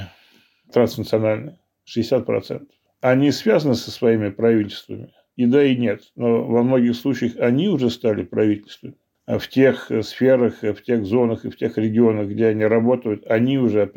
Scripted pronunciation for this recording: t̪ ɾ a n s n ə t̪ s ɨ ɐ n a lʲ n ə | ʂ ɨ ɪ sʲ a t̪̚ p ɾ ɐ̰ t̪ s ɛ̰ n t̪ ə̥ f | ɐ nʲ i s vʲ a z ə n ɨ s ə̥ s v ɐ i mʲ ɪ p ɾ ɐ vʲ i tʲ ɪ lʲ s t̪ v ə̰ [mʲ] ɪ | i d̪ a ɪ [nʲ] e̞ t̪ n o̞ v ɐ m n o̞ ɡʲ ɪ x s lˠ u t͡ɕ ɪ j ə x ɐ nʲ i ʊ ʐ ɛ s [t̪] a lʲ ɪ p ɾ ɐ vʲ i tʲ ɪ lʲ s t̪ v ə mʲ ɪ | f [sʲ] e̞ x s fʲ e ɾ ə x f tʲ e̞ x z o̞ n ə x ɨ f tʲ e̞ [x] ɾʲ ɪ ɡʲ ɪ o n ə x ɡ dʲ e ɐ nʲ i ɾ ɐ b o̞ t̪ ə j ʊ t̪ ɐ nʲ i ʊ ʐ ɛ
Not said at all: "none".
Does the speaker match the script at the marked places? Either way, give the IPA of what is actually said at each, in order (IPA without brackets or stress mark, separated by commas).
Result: mʲ, nʲ, t̪, tʲ, x